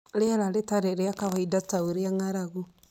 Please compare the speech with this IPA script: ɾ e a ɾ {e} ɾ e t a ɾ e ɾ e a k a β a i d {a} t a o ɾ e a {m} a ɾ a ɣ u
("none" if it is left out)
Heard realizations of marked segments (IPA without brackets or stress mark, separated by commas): a, a, ŋ